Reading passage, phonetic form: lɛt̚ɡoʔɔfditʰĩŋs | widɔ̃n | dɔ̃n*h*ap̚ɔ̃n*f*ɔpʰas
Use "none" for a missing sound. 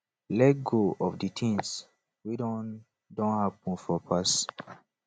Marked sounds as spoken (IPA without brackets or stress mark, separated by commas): h, f